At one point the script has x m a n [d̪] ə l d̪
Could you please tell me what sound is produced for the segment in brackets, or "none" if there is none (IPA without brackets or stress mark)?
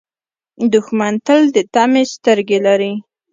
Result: t̪